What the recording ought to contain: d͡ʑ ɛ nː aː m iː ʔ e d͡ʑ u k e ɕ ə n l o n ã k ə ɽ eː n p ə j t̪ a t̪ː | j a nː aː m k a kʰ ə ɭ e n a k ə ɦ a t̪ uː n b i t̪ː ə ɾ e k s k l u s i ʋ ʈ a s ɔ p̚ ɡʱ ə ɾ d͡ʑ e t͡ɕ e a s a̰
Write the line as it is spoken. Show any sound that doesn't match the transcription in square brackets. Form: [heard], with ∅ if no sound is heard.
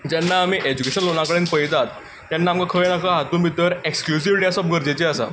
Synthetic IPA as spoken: d͡ʑ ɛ nː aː m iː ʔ e d͡ʑ u k e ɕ ə n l o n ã k ə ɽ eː n p ə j t̪ a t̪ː | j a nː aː m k a kʰ ə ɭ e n a k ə ɦ a t̪ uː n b i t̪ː ə ɾ e k s k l u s i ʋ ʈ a s ɔ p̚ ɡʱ ə ɾ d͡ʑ e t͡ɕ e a s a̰